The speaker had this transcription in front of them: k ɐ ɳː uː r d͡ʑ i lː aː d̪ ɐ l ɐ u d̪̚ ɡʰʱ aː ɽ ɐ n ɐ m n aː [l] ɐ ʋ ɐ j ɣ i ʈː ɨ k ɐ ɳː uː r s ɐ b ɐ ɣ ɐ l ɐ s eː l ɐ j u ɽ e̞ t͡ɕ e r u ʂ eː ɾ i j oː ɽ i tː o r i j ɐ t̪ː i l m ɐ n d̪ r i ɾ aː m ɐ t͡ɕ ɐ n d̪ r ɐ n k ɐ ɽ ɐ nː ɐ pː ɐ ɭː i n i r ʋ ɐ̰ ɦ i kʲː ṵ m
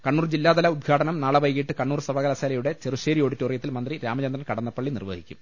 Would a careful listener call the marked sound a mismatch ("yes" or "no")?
yes